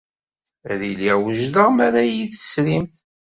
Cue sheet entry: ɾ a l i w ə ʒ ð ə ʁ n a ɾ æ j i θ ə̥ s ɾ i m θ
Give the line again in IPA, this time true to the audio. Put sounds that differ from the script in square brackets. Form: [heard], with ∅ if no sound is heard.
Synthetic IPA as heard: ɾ [i] l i w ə ʒ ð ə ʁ [m] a ɾ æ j i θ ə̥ s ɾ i m θ